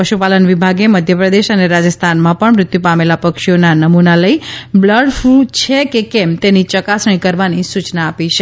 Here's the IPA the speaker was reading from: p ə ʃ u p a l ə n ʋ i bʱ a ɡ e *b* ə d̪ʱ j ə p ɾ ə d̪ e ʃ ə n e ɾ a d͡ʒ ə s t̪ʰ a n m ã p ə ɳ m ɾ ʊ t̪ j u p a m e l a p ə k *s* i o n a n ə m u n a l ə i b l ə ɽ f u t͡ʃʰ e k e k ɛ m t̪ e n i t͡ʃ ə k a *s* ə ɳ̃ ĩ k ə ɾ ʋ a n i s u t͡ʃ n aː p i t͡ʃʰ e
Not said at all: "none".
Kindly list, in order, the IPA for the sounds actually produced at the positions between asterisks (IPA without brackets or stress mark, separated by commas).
m, ʃ, s